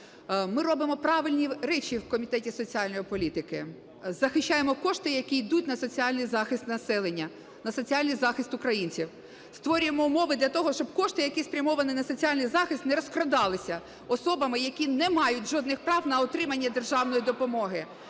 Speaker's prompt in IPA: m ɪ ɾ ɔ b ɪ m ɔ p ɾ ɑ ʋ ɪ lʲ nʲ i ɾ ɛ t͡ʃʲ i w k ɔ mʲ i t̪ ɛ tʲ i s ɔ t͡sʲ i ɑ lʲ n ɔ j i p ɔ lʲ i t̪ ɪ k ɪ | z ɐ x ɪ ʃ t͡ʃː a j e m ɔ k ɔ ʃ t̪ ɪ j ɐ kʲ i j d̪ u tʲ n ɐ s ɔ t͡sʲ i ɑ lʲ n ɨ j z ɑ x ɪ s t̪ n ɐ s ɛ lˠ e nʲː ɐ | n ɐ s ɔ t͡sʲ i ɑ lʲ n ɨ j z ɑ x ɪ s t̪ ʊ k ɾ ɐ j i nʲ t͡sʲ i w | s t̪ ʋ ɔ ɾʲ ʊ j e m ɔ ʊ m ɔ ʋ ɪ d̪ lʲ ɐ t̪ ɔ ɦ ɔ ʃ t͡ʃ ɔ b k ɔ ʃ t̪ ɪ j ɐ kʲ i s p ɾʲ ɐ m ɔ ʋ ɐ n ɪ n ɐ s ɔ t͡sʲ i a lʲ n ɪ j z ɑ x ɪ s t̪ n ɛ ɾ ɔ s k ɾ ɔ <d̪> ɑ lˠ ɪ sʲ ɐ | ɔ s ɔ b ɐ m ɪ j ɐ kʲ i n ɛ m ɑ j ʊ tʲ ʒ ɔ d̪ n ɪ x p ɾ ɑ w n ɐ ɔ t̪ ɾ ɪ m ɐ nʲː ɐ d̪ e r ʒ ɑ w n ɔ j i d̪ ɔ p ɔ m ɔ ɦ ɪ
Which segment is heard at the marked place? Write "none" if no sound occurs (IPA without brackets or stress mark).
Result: d̪